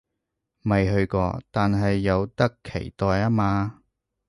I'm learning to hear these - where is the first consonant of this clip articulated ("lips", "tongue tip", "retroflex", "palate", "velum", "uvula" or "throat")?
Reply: lips